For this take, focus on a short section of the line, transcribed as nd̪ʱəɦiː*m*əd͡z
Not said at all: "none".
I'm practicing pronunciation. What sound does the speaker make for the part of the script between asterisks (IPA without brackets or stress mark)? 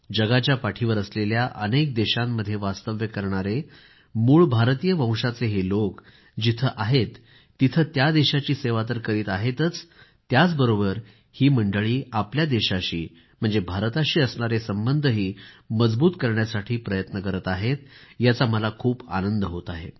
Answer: m